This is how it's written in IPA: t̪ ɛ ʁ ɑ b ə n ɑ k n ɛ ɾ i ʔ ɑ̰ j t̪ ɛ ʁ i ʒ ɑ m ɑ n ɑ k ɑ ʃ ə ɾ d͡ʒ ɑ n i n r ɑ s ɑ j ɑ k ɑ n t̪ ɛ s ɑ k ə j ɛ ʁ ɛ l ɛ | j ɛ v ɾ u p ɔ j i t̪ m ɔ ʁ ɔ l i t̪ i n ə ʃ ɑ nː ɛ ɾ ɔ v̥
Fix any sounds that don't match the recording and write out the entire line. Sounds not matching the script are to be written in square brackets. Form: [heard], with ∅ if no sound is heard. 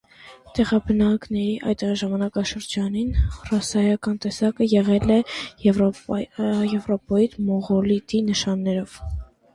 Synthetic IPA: t̪ ɛ ʁ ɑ b ə n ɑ k n ɛ ɾ i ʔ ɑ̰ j t̪ ɛ ʁ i ʒ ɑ m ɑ n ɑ k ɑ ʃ ə ɾ d͡ʒ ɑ n i n r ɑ s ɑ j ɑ k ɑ n t̪ ɛ s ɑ k ə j ɛ ʁ ɛ l ɛ | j ɛ v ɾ [ɔ] p ɔ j i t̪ m ɔ ʁ ɔ l i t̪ i n ə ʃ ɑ nː ɛ ɾ ɔ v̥